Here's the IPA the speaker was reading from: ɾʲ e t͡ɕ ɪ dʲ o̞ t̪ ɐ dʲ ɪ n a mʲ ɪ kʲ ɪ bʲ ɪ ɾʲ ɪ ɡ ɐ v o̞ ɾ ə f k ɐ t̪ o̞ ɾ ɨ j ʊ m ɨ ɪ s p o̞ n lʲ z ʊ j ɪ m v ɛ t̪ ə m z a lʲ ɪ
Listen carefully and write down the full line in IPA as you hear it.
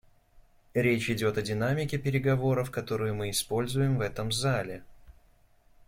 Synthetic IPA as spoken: ɾʲ e t͡ɕ ɪ dʲ o̞ t̪ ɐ dʲ ɪ n a mʲ ɪ kʲ ɪ pʲ ɪ ɾʲ ɪ ɡ ɐ v o̞ ɾ ə f k ɐ t̪ o̞ ɾ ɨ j ʊ m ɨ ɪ s p o̞ lʲ z ʊ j ɪ m v ɛ t̪ ə m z a lʲ ɪ